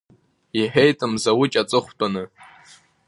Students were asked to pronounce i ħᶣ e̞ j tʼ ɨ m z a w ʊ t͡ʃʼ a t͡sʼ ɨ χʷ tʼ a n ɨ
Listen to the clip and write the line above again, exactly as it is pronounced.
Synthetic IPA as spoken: i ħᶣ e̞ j tʼ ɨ m z a w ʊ t͡ʃʼ a t͡sʼ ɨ χʷ tʼ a n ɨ